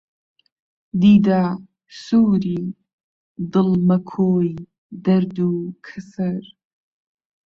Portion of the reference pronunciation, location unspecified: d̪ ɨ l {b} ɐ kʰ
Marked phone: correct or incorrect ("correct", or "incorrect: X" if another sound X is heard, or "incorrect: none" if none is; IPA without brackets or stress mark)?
incorrect: m